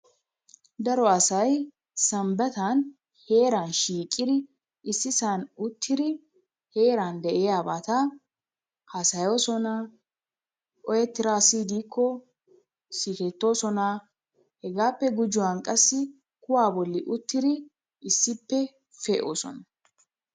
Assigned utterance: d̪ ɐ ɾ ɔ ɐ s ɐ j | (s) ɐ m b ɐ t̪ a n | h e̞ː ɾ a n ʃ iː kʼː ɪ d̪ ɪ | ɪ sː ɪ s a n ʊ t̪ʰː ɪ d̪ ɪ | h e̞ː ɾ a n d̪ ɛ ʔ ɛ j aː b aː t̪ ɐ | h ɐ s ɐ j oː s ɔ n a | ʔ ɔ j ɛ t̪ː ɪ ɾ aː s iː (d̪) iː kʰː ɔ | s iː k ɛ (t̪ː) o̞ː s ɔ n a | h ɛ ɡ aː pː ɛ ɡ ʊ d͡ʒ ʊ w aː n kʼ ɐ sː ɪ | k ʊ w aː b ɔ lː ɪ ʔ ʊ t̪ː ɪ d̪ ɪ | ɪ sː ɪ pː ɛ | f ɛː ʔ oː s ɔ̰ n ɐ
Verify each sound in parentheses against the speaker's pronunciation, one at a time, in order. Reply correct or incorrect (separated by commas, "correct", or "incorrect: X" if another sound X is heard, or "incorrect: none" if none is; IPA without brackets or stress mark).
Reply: correct, correct, correct